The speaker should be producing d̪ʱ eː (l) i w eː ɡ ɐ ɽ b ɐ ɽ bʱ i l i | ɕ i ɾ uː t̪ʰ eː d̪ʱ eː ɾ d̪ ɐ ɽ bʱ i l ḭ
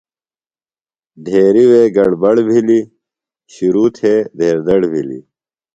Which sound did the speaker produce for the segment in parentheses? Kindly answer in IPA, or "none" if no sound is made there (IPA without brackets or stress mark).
ɾ